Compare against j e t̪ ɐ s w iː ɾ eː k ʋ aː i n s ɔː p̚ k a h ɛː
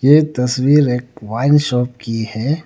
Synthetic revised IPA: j e t̪ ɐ s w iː ɾ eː k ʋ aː ɪ n ʃ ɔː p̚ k i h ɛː